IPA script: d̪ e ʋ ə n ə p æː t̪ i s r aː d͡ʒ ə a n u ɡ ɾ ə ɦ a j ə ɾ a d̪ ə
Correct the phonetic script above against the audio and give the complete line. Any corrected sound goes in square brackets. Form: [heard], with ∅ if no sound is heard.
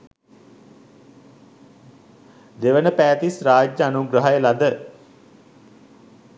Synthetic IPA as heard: d̪ e ʋ ə n ə p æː t̪ i s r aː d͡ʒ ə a n u ɡ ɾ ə ɦ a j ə [l] a d̪ ə

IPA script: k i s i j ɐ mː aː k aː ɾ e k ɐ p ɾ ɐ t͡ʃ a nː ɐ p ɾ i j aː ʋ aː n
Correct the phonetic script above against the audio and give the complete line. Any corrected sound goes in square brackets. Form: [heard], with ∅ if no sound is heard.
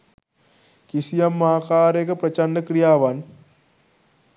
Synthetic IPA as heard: k i s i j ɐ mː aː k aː ɾ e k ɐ p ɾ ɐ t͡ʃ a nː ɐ [k] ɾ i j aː ʋ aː n

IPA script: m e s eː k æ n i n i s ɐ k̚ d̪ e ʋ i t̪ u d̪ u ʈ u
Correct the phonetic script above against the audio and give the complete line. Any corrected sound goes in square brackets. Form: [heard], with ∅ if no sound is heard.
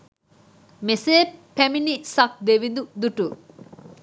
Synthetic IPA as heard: m e s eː [p] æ [m] i n i s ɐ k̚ d̪ e ʋ i [d̪] u d̪ u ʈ u

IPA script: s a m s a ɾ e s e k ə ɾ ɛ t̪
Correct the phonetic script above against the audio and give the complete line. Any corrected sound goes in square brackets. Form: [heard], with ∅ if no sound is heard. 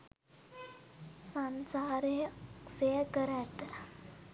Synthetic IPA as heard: s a [n] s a ɾ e s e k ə ɾ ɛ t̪

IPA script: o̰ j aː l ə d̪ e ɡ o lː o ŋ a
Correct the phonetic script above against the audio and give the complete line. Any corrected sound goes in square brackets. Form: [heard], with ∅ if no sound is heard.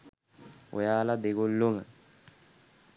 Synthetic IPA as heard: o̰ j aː l [a] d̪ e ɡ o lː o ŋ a

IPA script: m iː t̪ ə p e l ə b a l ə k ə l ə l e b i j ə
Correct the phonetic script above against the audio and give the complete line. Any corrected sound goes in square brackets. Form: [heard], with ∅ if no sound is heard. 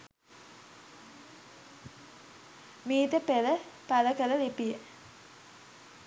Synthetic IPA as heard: m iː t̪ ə p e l ə [p] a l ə k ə l ə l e [p] i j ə

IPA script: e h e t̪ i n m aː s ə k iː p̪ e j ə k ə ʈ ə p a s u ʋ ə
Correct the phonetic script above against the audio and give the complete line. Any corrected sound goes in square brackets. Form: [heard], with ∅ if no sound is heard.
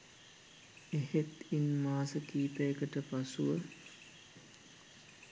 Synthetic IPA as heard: e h e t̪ i n m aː s ə k iː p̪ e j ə k ə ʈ ə p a s u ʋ ə

